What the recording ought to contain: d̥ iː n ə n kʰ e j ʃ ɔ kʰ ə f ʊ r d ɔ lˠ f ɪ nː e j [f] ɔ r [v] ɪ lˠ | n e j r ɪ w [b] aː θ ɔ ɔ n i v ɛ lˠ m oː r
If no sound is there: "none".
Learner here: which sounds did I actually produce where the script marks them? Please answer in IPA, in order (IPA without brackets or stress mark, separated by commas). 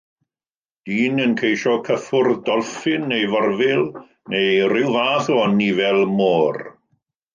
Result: v, v, v